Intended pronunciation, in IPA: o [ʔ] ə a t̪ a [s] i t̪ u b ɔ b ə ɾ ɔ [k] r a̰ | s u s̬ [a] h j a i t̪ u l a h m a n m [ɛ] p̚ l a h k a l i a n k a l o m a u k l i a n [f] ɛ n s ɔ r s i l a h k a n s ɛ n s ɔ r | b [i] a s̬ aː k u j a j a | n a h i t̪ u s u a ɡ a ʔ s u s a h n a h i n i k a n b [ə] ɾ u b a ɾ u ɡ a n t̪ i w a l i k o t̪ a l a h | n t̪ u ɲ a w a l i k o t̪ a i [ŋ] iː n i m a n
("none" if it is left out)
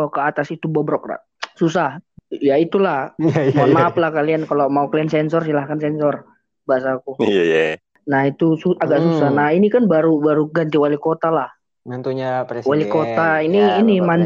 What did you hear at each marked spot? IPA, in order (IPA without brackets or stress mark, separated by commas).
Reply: k, s, k, a, a, s, a, a, n